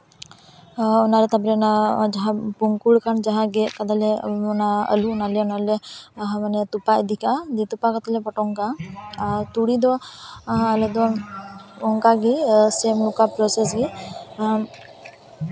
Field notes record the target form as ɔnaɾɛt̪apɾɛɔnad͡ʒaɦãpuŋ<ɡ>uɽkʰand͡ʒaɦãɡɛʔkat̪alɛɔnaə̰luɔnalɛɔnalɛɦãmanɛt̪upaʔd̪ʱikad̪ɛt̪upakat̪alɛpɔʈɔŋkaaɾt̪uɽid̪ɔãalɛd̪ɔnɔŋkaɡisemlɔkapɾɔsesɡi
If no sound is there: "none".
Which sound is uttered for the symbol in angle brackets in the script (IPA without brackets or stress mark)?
k